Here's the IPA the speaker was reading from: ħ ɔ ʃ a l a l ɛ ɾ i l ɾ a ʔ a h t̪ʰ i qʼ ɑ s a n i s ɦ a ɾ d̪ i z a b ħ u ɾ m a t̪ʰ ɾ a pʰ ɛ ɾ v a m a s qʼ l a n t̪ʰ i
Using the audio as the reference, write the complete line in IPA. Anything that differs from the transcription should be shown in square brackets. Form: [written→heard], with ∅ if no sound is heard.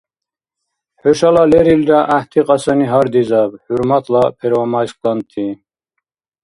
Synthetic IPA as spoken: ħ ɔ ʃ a l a l ɛ ɾ i l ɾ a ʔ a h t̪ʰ i qʼ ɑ s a n i [s→∅] ɦ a ɾ d̪ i z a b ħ u ɾ m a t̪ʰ [ɾ→l] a pʰ ɛ ɾ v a m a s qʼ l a n t̪ʰ i

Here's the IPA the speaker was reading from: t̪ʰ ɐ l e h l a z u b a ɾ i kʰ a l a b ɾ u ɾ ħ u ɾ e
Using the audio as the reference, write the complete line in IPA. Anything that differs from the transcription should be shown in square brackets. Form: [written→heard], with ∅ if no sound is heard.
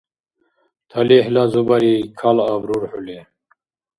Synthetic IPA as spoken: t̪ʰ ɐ l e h l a z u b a ɾ i kʰ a l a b ɾ u ɾ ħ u [ɾ→l] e

